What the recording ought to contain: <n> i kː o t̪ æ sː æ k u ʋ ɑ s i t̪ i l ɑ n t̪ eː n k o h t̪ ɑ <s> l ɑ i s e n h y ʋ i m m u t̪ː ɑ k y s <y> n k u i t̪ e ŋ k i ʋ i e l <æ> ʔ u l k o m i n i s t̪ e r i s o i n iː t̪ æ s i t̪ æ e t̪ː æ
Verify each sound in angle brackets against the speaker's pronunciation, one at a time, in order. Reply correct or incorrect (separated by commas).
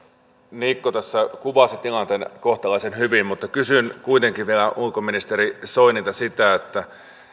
correct, incorrect, correct, correct